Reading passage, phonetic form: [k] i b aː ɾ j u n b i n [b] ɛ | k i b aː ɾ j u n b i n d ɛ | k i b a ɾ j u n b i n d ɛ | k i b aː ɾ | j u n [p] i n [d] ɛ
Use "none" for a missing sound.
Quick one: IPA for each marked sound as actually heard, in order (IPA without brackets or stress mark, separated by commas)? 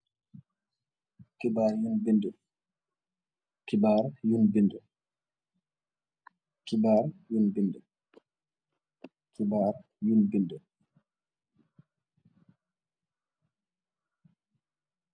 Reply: k, d, b, d